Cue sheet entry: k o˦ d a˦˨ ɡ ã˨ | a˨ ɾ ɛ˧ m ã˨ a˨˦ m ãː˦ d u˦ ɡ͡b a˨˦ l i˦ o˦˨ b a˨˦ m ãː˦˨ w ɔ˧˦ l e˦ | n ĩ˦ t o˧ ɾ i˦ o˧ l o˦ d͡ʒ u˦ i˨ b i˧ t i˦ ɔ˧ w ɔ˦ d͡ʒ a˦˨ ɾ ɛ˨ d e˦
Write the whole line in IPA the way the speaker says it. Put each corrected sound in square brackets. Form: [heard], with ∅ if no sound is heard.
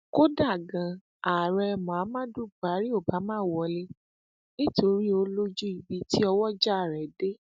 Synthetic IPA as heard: k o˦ d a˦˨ ɡ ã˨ | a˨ ɾ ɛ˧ m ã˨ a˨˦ m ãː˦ d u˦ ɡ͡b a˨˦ [ɾ] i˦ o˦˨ b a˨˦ m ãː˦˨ w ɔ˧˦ l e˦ | n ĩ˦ t o˧ ɾ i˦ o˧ l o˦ d͡ʒ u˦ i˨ b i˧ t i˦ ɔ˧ w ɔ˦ d͡ʒ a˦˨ ɾ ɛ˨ d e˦